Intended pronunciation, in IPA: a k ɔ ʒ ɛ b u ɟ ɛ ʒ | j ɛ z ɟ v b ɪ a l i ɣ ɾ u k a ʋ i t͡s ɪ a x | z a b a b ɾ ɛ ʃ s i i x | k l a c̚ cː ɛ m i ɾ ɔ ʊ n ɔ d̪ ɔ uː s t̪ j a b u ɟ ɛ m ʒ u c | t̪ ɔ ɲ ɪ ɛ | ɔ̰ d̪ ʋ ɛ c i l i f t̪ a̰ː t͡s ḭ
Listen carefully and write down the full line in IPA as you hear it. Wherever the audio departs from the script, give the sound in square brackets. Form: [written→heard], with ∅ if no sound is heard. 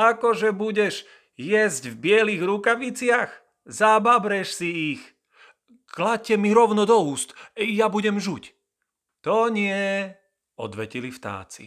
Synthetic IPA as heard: a k ɔ ʒ ɛ b u ɟ ɛ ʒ | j ɛ z ɟ v b ɪ [a→ɛ] l i ɣ ɾ u k a ʋ i t͡s ɪ a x | z a b a b ɾ ɛ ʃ s i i x | k l a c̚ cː ɛ m i ɾ ɔ ʊ n ɔ d̪ ɔ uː s t̪ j a b u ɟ ɛ m ʒ u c | t̪ ɔ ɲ ɪ ɛ | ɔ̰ d̪ ʋ ɛ c i l i f t̪ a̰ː t͡s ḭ